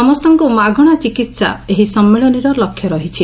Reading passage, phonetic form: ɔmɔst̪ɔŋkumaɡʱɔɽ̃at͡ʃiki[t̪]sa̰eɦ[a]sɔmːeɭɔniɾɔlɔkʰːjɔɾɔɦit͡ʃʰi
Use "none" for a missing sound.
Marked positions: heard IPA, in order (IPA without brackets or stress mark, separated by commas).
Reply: t̪, i